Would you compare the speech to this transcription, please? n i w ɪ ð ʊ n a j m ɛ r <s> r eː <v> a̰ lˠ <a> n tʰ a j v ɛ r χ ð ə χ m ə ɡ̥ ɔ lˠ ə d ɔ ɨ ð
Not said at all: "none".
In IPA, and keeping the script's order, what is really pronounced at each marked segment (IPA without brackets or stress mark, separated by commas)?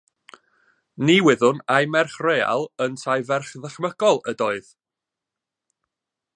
χ, none, ə